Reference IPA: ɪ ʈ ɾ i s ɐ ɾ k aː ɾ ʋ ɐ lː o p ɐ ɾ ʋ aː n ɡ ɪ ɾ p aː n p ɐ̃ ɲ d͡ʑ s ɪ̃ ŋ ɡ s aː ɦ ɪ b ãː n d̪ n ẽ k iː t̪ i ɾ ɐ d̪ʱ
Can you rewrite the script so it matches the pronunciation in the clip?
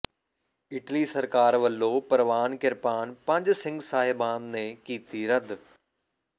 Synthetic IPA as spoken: ɪ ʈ l i s ɐ ɾ k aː ɾ ʋ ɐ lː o p ɐ ɾ ʋ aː n k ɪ ɾ p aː n p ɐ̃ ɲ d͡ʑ s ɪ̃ ŋ ɡ s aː ɦ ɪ b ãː n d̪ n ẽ k iː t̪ i ɾ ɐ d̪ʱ